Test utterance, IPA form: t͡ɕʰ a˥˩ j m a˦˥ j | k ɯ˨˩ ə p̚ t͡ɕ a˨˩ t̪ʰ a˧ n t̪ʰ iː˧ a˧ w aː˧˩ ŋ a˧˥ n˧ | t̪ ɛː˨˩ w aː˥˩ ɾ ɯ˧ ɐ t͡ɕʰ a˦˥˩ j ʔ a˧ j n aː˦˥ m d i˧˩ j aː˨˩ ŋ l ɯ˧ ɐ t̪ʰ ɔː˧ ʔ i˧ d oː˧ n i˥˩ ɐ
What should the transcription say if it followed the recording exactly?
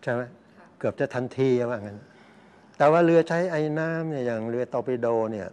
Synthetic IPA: t͡ɕʰ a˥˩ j m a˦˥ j | k ɯ˨˩ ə p̚ t͡ɕ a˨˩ t̪ʰ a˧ n t̪ʰ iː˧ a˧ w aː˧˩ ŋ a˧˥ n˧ | t̪ ɛː˨˩ w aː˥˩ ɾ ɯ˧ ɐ t͡ɕʰ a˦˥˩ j ʔ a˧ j n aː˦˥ m n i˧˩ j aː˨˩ ŋ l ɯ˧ ɐ t̪ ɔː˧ p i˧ d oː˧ n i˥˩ ɐ